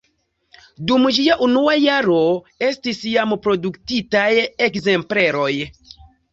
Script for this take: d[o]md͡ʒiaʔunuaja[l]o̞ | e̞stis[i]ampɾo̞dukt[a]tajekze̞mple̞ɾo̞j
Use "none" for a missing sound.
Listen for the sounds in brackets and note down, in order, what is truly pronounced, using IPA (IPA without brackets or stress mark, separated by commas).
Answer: u, ɾ, j, i